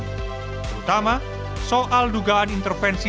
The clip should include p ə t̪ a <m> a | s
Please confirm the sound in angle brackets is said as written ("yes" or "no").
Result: yes